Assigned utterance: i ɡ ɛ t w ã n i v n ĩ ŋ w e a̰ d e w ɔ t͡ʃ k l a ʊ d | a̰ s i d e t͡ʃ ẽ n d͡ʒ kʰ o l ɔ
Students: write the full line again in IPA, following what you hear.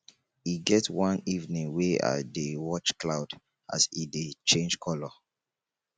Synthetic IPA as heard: i ɡ ɛ t w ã n i v n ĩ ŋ w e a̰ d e w ɔ t͡ʃ k l a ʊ d | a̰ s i d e t͡ʃ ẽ n d͡ʒ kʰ ɔ l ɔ